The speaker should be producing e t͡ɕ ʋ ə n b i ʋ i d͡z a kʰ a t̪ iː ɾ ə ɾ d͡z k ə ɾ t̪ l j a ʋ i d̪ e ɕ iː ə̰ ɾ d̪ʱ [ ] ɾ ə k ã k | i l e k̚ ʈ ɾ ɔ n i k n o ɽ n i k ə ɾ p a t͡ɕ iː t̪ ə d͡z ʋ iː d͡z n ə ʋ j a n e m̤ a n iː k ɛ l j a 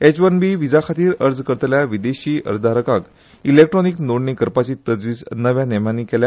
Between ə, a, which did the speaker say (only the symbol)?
a